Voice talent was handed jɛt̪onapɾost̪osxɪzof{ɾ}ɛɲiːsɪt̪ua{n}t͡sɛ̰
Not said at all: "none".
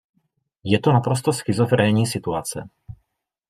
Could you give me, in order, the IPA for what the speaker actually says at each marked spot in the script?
ɾ, none

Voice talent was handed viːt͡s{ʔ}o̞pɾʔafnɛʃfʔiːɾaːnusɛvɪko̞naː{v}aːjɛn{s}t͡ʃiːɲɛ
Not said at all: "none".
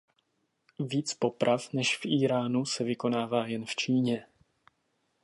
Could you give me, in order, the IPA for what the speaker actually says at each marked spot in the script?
p, v, f

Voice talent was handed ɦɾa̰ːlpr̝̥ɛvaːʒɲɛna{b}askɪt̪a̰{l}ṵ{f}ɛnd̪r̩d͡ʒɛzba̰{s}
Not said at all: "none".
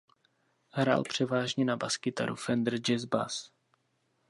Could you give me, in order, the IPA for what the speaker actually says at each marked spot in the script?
b, ɾ, f, s

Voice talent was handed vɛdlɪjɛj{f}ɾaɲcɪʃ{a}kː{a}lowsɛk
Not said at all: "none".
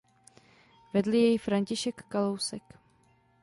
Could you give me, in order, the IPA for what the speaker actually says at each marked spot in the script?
f, ɛ, a

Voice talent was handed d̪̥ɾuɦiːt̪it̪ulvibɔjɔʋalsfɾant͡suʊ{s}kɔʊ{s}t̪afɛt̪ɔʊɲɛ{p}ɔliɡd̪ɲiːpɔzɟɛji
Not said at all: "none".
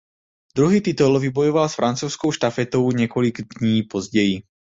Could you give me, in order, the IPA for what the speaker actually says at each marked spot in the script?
s, ʃ, k

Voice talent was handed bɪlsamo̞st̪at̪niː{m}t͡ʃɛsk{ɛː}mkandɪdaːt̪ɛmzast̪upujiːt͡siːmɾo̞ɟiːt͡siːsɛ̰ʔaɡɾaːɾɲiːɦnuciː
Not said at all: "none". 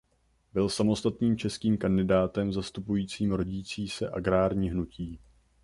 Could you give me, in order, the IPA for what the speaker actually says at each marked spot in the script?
m, iː

